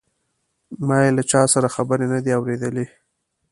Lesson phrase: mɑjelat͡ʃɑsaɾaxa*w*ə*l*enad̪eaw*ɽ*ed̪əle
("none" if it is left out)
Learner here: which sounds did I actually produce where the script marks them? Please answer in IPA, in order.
b, ɾ, ɾ

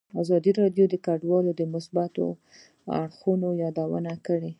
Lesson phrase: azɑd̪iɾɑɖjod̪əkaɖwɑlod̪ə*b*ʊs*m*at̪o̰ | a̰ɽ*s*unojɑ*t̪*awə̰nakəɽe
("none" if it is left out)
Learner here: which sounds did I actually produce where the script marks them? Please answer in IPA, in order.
m, b, x, d̪

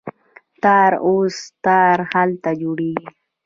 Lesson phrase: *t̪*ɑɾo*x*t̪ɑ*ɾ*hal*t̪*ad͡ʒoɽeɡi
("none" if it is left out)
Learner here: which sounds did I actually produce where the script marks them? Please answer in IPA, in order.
t̪, s, ɾ, t̪

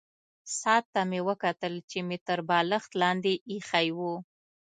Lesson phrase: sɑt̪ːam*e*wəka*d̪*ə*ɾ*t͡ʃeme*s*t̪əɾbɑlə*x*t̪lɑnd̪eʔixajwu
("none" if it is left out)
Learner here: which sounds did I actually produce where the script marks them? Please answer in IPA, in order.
e, t̪, l, none, x

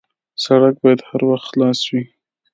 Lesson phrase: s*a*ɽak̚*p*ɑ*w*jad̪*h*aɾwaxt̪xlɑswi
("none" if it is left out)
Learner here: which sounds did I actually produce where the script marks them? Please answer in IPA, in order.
a, b, none, h

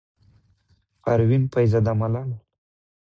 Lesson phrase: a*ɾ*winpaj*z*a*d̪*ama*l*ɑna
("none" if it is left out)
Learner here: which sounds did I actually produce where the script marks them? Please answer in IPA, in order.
ɾ, z, d̪, l

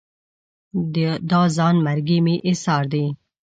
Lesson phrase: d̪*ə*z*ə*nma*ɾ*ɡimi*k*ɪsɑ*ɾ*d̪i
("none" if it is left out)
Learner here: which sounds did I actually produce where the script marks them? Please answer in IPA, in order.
ɑ, ɑ, ɾ, ʔ, ɾ

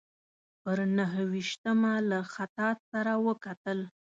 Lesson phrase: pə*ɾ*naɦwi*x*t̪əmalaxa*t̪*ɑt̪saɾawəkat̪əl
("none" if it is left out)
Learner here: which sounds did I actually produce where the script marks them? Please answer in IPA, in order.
ɾ, ʃ, t̪

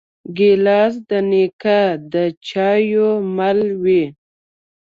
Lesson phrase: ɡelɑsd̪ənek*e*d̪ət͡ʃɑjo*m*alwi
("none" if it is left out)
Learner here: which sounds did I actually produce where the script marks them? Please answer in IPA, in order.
a, m

